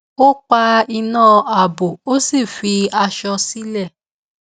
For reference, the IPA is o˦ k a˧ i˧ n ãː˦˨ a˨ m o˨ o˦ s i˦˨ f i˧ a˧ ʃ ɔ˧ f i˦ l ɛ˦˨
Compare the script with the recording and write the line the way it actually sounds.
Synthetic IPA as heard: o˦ k͡p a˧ i˧ n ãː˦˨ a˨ b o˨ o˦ s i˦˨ f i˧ a˧ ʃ ɔ˧ s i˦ l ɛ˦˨